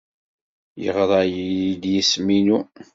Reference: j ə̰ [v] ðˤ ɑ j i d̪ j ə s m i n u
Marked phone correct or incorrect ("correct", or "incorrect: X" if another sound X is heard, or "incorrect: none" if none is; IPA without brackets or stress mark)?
incorrect: ʁ